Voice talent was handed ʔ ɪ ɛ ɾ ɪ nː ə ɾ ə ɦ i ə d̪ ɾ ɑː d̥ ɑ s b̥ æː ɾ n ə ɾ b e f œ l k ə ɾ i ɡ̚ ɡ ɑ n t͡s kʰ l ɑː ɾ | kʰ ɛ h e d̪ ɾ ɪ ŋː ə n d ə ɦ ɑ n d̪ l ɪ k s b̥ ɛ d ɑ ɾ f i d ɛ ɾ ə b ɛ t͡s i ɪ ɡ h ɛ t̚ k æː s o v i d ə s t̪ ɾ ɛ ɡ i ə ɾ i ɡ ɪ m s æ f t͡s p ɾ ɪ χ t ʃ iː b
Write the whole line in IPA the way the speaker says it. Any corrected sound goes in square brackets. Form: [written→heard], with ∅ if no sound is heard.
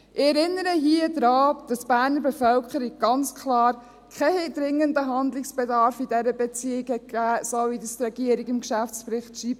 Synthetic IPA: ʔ ɪ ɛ ɾ ɪ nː ə ɾ ə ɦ i ə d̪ ɾ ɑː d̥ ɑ s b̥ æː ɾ n ə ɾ b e f œ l k ə ɾ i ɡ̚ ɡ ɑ n t͡s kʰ l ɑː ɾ | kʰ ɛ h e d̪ ɾ ɪ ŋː ə n d ə ɦ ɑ n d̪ l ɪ k s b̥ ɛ d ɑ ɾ f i d ɛ ɾ ə b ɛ t͡s i ɪ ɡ h ɛ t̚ k æː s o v i d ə s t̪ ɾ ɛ ɡ i ə ɾ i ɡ ɪ m [s→ʃ] æ f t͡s p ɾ ɪ χ t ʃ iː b

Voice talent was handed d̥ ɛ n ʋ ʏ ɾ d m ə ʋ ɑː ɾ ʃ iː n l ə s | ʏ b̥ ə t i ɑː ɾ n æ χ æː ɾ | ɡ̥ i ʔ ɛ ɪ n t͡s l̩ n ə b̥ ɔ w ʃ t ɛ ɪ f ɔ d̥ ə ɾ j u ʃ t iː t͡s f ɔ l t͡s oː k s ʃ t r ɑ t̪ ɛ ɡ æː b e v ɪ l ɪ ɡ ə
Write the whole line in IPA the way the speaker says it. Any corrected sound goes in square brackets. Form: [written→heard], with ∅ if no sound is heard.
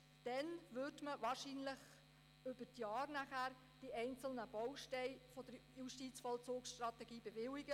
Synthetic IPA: d̥ ɛ n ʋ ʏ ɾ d m ə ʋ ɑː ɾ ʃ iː n l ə [s→χ] | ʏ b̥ ə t [i→j] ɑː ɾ n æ χ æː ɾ | [ɡ̥→d̥] i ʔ ɛ ɪ n t͡s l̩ n ə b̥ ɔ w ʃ t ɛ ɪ f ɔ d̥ ə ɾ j u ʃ t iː t͡s f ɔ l t͡s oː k s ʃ t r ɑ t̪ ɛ ɡ [æː→iː] b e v ɪ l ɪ ɡ ə

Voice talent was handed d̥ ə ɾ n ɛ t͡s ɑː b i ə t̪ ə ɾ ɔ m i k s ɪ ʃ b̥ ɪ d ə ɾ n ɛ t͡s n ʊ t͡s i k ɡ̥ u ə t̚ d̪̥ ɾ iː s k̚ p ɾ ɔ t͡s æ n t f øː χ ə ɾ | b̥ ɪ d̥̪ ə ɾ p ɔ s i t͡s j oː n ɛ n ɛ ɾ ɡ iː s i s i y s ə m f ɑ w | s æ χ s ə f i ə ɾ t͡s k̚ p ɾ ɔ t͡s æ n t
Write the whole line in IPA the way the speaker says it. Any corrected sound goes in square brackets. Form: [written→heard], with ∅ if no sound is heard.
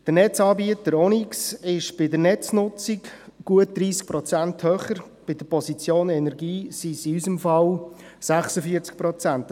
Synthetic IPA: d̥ ə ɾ n ɛ t͡s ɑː b i ə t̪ ə ɾ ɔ [m→n] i k s ɪ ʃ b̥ ɪ d ə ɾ n ɛ t͡s n ʊ t͡s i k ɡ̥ u ə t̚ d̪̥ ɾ iː s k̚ p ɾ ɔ t͡s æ n t [f→h] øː χ ə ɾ | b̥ ɪ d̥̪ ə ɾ p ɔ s i t͡s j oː n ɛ n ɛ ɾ ɡ iː s i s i y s ə m f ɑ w | s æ χ s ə f i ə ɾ t͡s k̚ p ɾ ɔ t͡s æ n t

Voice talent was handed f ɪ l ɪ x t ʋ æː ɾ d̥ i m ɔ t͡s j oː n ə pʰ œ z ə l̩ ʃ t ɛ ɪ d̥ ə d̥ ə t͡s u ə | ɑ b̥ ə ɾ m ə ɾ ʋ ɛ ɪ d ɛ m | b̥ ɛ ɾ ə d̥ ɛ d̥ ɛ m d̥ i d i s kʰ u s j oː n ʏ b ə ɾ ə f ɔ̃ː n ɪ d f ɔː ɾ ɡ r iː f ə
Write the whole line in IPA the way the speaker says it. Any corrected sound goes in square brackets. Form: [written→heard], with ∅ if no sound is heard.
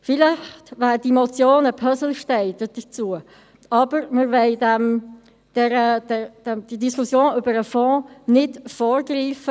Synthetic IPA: f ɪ l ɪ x t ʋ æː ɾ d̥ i m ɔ t͡s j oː n ə pʰ œ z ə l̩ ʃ t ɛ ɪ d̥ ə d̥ ə t͡s u ə | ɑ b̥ ə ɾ m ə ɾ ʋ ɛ ɪ d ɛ m | [b̥→d̥] ɛ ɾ ə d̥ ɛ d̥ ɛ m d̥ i d i s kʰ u s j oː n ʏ b ə ɾ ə f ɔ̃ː n ɪ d f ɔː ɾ ɡ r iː f ə

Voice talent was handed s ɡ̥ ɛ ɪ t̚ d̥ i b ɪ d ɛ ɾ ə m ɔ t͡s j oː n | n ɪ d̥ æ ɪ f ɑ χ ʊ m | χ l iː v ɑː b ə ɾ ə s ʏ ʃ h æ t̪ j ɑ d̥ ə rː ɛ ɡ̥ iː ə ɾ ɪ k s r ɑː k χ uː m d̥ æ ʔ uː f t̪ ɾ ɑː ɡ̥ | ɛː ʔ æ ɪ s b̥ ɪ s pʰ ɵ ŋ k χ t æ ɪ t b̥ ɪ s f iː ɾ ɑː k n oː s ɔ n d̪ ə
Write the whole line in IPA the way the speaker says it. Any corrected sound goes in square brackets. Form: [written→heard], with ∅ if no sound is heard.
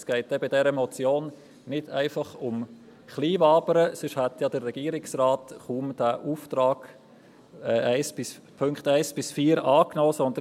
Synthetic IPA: s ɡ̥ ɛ ɪ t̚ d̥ [i→ɛ] b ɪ d ɛ ɾ ə m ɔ t͡s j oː n | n ɪ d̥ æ ɪ f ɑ χ ʊ m | χ l iː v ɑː b ə ɾ ə s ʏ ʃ h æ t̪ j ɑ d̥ ə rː ɛ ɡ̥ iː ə ɾ ɪ k s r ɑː [k→t] χ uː m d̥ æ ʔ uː f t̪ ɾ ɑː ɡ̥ | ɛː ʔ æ ɪ s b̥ ɪ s pʰ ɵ ŋ k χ t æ ɪ [t→s] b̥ ɪ s f iː ɾ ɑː k n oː s ɔ n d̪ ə

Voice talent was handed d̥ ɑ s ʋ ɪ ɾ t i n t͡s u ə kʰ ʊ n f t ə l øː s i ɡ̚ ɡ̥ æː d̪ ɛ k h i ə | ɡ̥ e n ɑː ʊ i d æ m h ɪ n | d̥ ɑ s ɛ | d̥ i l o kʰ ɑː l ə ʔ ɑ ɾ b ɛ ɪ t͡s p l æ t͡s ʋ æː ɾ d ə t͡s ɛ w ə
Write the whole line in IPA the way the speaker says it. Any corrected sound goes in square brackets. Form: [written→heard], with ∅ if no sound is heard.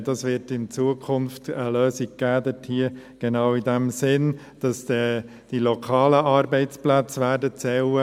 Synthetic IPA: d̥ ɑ s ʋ ɪ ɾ t [i→ɪ] n t͡s u ə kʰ ʊ n f t ə l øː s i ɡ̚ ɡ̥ æː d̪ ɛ [k→t] h i ə | ɡ̥ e n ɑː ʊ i d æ m [h→s] ɪ n | d̥ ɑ s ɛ | d̥ i l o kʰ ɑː l ə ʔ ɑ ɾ b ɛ ɪ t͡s p l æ t͡s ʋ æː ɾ d ə t͡s ɛ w ə

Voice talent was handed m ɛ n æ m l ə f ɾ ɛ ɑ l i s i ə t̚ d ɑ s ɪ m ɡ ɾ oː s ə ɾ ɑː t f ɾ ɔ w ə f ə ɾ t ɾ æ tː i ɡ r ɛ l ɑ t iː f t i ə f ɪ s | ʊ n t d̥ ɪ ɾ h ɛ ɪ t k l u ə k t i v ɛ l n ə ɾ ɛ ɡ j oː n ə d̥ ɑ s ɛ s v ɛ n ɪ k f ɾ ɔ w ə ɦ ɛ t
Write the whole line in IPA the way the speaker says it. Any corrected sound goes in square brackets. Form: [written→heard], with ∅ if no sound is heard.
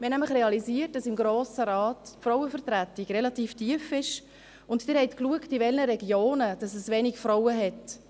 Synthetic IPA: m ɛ n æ m l ə [f→χ] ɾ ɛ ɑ l i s i ə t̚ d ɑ s ɪ m ɡ ɾ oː s ə ɾ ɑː t f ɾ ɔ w ə f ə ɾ t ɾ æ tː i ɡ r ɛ l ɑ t iː f t i ə f ɪ [s→ʃ] | ʊ n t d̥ ɪ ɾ h ɛ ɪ t k l u ə k t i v ɛ l n ə ɾ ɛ ɡ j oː n ə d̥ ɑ s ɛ s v ɛ n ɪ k f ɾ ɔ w ə ɦ ɛ t

